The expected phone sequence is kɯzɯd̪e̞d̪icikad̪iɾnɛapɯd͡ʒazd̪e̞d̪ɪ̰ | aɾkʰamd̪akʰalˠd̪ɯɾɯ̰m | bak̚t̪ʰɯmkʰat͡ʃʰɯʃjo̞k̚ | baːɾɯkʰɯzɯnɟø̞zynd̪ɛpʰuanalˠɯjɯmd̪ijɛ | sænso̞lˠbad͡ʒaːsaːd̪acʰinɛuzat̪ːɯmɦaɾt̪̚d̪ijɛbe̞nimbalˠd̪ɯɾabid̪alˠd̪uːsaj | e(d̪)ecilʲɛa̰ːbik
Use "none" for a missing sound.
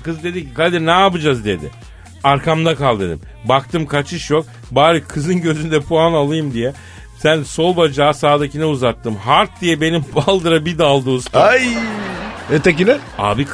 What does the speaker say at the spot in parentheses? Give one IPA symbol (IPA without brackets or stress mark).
t̪